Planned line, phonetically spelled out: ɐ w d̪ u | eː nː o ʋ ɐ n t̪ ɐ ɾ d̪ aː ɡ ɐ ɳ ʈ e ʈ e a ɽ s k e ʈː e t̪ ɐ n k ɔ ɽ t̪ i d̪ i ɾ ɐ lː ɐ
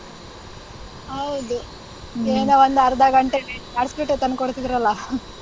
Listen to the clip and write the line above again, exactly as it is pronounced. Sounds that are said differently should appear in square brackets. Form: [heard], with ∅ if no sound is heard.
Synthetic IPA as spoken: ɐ w d̪ u | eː [n] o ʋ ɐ n [d̪] ɐ ɾ d̪ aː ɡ ɐ ɳ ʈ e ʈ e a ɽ s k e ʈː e t̪ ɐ n k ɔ ɽ t̪ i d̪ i ɾ ɐ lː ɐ